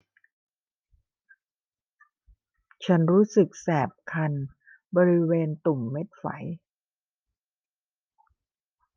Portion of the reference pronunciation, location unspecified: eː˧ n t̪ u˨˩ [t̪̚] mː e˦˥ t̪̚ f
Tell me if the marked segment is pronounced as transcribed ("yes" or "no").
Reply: no